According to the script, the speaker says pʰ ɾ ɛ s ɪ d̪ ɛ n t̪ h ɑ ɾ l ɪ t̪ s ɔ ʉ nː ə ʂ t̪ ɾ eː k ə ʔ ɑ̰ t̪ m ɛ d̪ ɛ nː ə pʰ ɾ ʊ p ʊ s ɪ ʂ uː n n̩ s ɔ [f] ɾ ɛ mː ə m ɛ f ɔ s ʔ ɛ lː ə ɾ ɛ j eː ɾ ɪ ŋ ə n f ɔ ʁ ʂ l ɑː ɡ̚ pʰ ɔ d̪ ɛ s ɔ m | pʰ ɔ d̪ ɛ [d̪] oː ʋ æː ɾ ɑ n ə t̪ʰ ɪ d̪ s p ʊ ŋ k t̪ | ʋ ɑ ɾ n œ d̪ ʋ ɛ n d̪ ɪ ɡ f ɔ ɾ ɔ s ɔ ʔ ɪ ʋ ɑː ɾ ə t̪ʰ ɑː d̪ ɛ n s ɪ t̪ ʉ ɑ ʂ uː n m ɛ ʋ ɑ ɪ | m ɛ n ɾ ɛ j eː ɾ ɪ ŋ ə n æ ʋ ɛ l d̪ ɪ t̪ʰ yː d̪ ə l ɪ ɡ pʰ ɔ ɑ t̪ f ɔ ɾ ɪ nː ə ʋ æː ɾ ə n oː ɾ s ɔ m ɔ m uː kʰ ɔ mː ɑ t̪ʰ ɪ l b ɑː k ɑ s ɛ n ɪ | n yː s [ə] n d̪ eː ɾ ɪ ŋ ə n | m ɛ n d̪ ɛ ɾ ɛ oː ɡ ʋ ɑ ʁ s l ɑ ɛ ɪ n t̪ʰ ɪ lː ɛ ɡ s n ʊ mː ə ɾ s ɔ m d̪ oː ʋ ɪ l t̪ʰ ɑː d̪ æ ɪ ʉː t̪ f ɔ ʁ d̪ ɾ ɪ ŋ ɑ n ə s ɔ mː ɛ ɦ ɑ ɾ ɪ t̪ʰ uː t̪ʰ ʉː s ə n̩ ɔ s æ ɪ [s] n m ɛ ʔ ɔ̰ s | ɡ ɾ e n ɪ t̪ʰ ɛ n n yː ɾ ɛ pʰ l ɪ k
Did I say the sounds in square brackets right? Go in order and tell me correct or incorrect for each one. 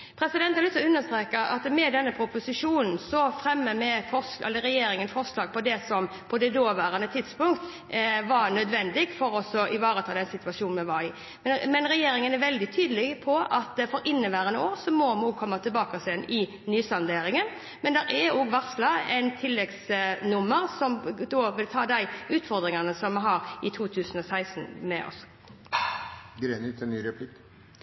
correct, correct, incorrect: ɑ, correct

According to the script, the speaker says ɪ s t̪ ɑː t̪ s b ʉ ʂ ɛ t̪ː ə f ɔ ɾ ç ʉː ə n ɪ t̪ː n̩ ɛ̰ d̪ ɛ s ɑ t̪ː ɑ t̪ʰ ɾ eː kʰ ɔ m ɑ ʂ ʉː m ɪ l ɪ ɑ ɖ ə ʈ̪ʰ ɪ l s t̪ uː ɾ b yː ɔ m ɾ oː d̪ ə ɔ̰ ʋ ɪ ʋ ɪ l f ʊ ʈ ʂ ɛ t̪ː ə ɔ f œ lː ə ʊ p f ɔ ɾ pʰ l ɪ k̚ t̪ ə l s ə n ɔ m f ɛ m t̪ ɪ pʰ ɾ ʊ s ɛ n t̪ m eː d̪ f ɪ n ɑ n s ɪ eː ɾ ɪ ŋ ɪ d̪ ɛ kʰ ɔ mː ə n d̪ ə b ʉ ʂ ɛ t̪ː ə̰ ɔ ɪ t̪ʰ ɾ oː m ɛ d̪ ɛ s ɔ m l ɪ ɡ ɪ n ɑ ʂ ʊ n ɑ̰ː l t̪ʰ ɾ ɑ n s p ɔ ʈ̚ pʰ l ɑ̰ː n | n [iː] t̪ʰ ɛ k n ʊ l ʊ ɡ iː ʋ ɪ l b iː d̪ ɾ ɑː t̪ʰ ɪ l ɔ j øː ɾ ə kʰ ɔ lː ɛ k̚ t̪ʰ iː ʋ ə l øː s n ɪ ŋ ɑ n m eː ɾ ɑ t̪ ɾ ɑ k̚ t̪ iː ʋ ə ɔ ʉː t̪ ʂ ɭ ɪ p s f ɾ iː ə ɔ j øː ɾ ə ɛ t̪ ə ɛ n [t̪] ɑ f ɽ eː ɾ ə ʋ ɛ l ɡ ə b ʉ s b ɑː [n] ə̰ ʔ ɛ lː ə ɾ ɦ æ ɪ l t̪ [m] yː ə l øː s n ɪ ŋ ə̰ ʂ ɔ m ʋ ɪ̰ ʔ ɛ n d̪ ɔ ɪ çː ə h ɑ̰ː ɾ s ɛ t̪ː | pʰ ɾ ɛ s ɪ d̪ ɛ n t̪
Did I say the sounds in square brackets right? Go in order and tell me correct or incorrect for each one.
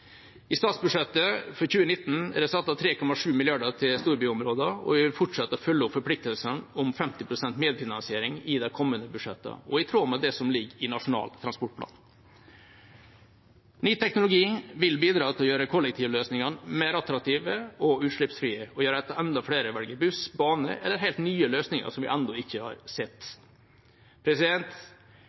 incorrect: yː, incorrect: d̪, correct, incorrect: n

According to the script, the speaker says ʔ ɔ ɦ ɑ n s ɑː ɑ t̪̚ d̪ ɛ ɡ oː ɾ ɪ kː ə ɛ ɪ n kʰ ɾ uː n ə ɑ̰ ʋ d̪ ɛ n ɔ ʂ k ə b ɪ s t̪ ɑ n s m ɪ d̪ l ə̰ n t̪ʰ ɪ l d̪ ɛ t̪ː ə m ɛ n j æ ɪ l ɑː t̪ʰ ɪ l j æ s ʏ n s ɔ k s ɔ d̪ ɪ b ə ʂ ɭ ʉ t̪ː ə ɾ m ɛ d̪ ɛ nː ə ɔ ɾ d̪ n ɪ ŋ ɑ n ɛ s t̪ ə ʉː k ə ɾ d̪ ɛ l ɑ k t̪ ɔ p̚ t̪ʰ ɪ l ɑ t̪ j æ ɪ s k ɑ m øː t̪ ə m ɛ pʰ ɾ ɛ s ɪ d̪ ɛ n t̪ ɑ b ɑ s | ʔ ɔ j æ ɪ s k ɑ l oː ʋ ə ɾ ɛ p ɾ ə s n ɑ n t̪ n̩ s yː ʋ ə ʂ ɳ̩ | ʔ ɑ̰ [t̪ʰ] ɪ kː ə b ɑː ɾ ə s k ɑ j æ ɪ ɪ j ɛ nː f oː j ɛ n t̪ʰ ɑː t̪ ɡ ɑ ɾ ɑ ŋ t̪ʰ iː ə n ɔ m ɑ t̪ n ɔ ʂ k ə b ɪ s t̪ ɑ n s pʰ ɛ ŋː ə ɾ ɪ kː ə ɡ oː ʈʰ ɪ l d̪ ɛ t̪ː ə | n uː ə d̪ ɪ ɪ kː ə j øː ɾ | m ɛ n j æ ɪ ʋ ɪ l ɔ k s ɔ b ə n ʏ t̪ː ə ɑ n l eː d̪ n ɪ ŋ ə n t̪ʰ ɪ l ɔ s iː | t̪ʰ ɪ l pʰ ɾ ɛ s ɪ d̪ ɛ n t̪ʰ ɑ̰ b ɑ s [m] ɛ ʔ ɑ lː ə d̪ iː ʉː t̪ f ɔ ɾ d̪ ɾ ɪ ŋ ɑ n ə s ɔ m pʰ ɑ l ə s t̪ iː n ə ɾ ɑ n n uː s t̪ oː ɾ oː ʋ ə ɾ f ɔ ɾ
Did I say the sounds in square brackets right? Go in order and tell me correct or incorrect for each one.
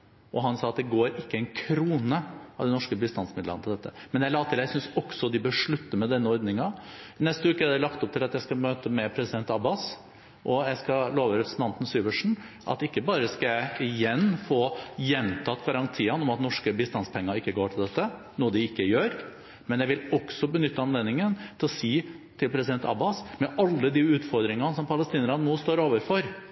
incorrect: t̪, correct

